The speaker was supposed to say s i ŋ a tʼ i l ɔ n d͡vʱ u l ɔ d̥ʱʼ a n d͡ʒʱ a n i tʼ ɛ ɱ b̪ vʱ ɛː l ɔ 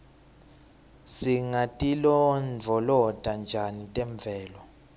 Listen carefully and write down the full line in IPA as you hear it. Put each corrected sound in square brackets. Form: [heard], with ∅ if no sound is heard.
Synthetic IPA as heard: s i ŋ a tʼ i l ɔ n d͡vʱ [ɔ] l ɔ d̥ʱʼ a n d͡ʒʱ a n i tʼ ɛ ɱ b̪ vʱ ɛː l ɔ